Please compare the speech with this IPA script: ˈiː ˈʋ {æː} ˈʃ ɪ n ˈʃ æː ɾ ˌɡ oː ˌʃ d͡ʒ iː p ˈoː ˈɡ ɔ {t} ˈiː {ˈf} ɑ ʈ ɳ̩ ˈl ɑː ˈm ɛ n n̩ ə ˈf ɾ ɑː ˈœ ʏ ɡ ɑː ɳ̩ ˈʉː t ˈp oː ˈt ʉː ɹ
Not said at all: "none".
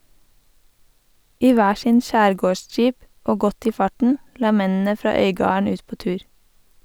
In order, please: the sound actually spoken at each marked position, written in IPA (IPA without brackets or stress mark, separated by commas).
æː, t, f